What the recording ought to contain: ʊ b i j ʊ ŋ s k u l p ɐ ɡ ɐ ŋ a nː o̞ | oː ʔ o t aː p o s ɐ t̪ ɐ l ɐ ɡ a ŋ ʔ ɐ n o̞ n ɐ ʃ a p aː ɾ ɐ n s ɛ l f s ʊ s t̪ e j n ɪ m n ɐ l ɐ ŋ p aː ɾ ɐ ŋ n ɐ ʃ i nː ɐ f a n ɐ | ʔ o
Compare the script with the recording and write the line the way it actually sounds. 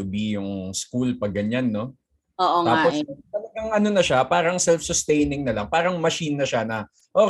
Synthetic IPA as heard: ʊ b i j ʊ ŋ s k u l p ɐ ɡ ɐ ɲ a nː o̞ | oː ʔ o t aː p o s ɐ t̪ ɐ l ɐ ɡ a ŋ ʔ ɐ n o̞ n ɐ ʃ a p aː ɾ ɐ ŋ s ɛ l f s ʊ s t̪ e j n ɪ ŋ n ɐ l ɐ ŋ p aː ɾ ɐ ŋ m ɐ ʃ i nː ɐ ʃ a n ɐ | ʔ o